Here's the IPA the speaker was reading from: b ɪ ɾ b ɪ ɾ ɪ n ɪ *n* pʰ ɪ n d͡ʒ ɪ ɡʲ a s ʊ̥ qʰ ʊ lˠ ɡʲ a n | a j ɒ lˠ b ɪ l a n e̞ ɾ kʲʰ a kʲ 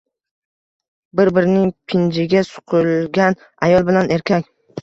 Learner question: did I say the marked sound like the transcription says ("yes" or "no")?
no